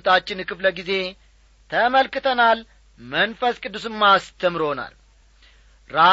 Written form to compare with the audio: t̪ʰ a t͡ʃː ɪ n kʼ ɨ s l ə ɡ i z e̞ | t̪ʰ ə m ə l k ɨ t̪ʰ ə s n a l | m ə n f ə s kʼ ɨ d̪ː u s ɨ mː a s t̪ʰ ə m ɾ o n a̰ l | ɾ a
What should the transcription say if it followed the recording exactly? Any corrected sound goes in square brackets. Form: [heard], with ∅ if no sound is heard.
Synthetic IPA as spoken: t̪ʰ a t͡ʃː ɪ n [k] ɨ [f] l ə ɡ i z e̞ | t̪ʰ ə m ə l k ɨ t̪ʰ ə [∅] n a l | m ə n f ə s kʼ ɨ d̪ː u s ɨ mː a s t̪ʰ ə m ɾ o n a̰ l | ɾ a